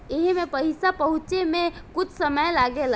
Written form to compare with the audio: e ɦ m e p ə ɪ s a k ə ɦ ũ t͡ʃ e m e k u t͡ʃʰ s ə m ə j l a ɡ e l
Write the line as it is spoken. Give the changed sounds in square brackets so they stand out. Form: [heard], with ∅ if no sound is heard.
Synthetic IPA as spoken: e ɦ m e p ə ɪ s a [p] ə ɦ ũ t͡ʃ e m e k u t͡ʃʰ s ə m ə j l a ɡ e l